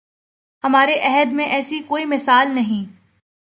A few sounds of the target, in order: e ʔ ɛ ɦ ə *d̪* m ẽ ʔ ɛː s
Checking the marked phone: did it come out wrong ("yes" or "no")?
no